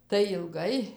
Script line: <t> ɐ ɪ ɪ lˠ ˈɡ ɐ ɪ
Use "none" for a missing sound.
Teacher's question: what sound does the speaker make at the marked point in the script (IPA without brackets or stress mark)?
t